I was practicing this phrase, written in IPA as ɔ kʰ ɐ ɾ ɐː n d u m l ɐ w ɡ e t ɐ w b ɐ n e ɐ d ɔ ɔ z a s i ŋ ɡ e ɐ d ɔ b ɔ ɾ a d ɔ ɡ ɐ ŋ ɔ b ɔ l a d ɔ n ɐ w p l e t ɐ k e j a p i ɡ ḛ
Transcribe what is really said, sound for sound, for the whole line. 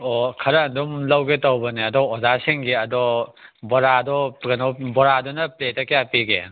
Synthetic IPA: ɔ kʰ ɐ ɾ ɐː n d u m l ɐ w ɡ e t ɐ w b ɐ n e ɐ d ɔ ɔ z a s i ŋ ɡ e ɐ d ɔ b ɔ ɾ a d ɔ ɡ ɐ n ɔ b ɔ ɾ a d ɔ n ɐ p l e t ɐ k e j a p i ɡ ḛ